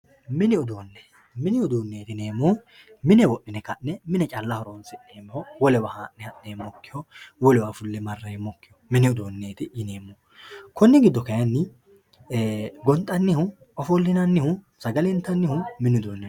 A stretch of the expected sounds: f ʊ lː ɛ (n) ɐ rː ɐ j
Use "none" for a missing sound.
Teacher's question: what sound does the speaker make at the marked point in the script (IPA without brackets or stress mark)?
m